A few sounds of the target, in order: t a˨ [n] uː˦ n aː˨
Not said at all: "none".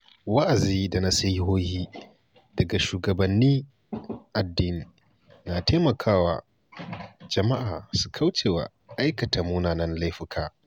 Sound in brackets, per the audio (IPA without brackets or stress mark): m